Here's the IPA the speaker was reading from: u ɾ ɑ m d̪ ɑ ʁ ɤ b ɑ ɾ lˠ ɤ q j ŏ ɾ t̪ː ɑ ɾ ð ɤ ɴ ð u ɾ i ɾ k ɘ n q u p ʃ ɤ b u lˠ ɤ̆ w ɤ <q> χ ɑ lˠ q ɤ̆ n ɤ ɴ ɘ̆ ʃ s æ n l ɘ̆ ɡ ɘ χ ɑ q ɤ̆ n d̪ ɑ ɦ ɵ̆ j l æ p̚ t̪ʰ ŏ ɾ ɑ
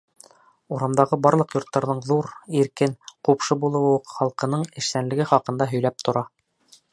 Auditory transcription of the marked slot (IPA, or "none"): q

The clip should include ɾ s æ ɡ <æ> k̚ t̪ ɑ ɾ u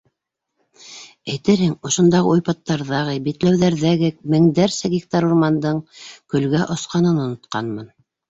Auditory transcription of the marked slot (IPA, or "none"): i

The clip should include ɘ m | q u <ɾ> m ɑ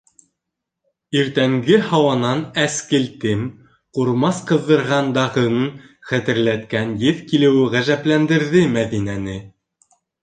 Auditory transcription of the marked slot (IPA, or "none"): ɾ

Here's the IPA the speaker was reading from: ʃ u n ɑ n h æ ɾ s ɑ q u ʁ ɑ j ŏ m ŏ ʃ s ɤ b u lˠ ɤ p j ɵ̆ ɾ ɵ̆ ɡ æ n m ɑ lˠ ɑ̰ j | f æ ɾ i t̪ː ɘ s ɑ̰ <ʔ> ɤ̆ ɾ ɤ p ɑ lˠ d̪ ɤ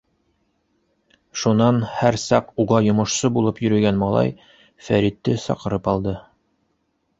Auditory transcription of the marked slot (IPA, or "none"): q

